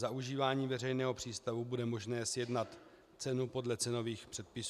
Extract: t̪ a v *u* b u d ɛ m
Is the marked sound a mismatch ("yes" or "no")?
no